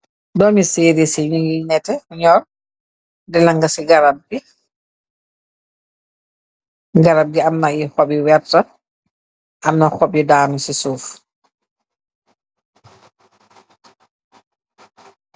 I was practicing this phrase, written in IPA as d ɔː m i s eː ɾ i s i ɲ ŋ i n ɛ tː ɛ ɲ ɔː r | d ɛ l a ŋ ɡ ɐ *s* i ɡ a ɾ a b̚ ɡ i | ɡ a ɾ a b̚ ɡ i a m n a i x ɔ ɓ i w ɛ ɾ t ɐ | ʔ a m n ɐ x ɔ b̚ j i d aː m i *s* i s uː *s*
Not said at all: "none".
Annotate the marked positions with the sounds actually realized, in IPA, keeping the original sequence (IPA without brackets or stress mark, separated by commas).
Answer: s, s, f